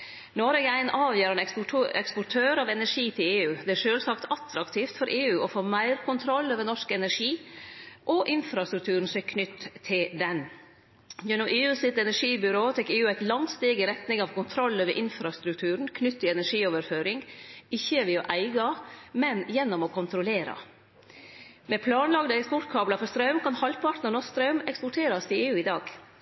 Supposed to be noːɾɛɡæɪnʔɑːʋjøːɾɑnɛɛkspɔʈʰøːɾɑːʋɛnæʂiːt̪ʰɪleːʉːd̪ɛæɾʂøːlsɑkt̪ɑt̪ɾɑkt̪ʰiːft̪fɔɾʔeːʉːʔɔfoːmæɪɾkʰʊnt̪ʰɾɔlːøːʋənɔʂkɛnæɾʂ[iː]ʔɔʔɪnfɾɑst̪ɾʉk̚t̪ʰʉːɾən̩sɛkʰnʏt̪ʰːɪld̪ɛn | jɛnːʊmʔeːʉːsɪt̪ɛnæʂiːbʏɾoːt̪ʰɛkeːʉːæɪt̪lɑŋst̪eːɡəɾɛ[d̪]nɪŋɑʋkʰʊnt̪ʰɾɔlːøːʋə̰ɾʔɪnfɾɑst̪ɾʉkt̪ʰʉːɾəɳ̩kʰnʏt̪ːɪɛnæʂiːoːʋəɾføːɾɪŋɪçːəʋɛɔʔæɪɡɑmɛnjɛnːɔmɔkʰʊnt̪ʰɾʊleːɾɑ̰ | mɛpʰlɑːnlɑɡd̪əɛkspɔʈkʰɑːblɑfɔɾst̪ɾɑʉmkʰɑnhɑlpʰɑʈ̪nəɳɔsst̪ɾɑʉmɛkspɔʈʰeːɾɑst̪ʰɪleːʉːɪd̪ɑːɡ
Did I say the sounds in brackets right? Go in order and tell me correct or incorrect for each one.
correct, incorrect: t̪

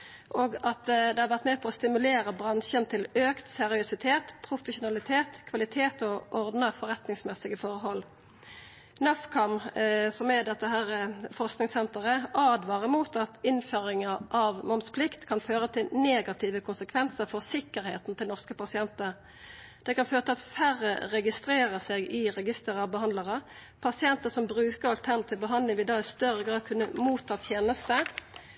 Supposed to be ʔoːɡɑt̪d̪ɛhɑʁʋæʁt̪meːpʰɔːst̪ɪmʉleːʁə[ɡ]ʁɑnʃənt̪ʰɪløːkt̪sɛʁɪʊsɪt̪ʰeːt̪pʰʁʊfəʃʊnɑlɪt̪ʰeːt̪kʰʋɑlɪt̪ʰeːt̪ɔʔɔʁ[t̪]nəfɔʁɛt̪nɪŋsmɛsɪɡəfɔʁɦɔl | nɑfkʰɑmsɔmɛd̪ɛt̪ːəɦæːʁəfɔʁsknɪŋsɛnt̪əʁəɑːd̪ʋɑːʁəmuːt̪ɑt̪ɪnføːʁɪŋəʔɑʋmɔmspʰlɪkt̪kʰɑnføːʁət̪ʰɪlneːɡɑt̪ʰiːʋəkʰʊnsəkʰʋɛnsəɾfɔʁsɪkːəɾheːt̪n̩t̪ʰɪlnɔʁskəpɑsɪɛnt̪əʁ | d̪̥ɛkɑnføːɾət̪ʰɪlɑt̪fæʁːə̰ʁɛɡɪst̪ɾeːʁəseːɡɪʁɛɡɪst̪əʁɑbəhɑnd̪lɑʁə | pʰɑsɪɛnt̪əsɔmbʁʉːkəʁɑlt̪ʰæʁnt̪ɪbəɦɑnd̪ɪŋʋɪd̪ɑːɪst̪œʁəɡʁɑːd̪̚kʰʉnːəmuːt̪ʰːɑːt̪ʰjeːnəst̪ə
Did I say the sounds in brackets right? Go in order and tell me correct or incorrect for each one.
incorrect: b, incorrect: d̪

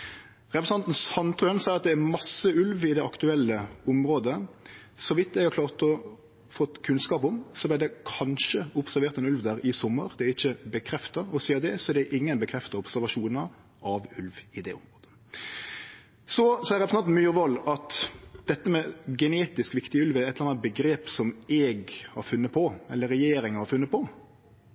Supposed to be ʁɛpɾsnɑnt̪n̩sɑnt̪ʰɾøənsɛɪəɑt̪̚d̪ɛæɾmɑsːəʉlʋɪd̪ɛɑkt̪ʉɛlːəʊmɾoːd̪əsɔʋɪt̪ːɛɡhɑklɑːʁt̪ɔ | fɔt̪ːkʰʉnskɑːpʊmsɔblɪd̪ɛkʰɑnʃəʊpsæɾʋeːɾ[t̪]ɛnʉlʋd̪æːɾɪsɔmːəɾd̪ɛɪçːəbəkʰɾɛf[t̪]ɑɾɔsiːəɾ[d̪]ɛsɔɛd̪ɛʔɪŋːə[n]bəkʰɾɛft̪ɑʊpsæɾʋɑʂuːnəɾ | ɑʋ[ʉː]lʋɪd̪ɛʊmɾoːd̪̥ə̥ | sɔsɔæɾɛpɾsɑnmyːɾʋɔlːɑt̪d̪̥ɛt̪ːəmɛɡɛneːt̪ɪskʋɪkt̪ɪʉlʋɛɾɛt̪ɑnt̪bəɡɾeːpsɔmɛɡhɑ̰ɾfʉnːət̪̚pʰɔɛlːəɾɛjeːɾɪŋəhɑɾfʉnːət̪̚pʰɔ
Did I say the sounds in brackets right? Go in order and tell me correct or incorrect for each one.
correct, correct, correct, correct, incorrect: ʉ

